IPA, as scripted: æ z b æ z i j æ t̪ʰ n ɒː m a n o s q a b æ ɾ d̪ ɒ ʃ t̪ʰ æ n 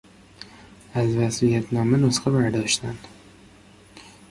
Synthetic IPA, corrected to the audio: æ z v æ s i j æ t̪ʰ n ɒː m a n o s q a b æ ɾ d̪ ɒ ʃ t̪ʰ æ n